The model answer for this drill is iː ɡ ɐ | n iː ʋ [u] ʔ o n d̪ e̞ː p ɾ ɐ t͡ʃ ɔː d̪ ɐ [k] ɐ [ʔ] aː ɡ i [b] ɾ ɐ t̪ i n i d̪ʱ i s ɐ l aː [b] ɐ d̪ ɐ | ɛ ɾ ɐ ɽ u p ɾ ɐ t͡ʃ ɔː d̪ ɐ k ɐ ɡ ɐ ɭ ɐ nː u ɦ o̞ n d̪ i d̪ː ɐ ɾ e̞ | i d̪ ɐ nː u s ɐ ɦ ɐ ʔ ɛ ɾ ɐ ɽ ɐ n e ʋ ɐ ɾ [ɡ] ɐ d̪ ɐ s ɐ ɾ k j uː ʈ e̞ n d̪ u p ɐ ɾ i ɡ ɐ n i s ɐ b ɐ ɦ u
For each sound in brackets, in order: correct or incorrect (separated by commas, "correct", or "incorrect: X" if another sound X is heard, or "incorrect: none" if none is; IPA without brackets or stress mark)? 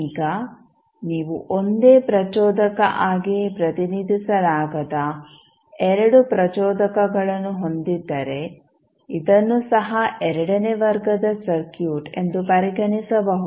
correct, correct, correct, incorrect: p, incorrect: ɡ, correct